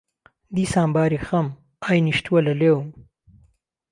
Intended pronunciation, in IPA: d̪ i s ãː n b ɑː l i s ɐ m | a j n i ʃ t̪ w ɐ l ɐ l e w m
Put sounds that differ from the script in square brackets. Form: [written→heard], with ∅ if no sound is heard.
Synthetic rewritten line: d̪ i s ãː [n→m] b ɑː [l→ɾ] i [s→x] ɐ m | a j n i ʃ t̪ w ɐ l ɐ l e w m